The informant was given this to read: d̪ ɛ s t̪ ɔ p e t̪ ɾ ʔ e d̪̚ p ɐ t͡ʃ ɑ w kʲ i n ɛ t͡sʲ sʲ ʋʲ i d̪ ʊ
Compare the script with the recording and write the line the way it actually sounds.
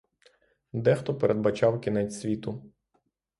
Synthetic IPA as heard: d̪ ɛ x t̪ ɔ p e ɾ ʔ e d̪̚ b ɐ t͡ʃ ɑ w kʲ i n ɛ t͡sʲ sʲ ʋʲ i t̪ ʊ